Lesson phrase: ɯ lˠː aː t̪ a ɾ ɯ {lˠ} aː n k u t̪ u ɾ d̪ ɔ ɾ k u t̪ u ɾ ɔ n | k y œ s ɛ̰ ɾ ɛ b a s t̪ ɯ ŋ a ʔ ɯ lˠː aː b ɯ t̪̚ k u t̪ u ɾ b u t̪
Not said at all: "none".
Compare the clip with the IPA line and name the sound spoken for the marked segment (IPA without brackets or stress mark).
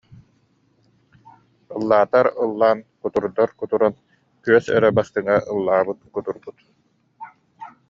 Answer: lˠː